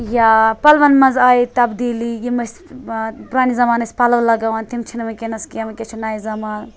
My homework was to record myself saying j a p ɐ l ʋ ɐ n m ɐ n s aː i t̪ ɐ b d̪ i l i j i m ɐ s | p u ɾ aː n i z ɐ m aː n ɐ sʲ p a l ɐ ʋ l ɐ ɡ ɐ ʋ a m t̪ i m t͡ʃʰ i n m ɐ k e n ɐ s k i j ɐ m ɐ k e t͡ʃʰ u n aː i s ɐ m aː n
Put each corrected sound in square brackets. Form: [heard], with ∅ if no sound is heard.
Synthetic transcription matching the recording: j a p ɐ l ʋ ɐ n m ɐ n [z] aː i t̪ ɐ b d̪ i l i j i m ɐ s | p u ɾ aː n i z ɐ m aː n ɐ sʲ p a l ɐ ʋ l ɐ ɡ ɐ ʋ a [n] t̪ i m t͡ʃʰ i n m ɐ k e n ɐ s k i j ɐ m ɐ k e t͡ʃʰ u n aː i [z] ɐ m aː n

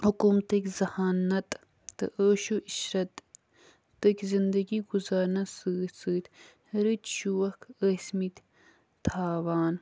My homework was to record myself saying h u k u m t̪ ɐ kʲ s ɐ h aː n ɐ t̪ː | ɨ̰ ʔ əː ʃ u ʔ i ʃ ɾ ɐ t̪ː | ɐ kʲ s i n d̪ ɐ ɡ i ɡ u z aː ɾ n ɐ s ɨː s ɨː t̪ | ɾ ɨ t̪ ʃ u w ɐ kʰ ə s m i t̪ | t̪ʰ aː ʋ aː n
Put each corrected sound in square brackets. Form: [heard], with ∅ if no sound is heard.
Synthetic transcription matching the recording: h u k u m t̪ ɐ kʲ [z] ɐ h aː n ɐ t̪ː | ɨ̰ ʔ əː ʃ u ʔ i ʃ ɾ ɐ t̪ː | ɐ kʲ [z] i n d̪ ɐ ɡ i ɡ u z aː ɾ n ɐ s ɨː s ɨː t̪ | ɾ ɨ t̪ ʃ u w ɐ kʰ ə s m i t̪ | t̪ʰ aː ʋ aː n

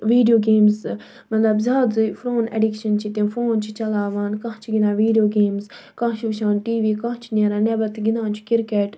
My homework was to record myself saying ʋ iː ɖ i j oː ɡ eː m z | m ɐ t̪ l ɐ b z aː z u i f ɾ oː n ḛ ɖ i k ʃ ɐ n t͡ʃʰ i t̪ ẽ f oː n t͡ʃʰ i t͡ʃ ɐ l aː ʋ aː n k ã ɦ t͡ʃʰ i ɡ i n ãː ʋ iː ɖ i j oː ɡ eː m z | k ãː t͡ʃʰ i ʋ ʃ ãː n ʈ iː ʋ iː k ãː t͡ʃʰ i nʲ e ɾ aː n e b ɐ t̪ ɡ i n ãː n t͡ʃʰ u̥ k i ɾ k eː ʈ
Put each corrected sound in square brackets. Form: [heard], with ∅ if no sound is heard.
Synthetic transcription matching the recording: ʋ iː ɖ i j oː ɡ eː m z | m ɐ t̪ l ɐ b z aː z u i f ɾ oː n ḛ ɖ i k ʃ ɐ n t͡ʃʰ i t̪ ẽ f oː n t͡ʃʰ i t͡ʃ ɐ l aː ʋ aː n k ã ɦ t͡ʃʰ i ɡ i n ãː ʋ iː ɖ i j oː ɡ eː m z | k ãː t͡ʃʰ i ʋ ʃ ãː n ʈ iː ʋ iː k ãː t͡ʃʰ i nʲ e ɾ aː n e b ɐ t̪ ɡ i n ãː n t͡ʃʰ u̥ k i ɾ k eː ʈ

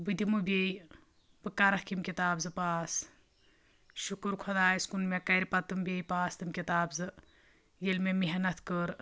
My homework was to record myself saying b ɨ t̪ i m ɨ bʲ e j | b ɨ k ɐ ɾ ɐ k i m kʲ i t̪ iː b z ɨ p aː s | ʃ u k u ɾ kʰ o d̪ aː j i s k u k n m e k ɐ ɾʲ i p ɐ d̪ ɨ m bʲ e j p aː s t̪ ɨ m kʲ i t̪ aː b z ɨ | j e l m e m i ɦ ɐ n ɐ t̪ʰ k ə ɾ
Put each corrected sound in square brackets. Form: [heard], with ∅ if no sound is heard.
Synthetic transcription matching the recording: b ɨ [d̪] i m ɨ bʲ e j | b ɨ k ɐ ɾ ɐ k i m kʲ i t̪ [aː] b z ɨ p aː s | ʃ u k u ɾ kʰ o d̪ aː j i s k u [∅] n m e k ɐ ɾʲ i p ɐ [t̪] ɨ m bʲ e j p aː s t̪ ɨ m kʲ i t̪ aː b z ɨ | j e l m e m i ɦ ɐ n ɐ t̪ʰ k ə ɾ

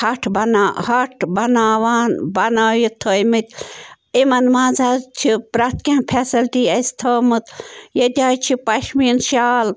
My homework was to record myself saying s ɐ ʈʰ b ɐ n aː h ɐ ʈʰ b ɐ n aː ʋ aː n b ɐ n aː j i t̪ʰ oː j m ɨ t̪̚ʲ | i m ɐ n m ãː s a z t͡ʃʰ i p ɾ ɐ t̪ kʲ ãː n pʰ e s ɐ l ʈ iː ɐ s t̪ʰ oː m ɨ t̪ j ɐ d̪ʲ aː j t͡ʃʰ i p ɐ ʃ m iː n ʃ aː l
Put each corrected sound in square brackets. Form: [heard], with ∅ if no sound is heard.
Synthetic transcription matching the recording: [h] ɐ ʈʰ b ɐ n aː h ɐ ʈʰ b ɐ n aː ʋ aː n b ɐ n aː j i t̪ʰ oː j m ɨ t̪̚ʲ | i m ɐ n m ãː [z] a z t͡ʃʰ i p ɾ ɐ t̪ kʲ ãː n pʰ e s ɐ l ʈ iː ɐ s t̪ʰ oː m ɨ t̪ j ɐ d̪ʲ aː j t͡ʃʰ i p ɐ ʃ m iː n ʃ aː l

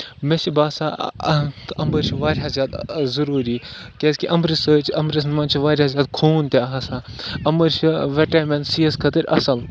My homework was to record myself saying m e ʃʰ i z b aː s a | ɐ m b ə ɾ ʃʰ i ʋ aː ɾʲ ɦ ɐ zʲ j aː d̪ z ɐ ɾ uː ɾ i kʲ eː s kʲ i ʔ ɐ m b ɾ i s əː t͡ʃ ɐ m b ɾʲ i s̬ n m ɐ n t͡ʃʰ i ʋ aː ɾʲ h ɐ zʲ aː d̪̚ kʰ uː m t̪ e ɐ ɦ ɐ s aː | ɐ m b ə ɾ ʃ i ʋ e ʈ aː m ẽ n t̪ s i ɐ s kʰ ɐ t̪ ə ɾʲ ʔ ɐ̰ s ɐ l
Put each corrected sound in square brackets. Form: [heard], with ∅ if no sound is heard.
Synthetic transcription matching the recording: m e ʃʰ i [∅] b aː s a | ɐ m b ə ɾ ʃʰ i ʋ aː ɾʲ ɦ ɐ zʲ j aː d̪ z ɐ ɾ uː ɾ i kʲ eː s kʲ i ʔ ɐ m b ɾ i s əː t͡ʃ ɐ m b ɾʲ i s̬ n m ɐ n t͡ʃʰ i ʋ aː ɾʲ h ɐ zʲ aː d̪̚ kʰ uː [n] t̪ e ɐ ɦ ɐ s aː | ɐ m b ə ɾ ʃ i ʋ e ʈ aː m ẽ n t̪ s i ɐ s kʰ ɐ t̪ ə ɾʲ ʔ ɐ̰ s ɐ l

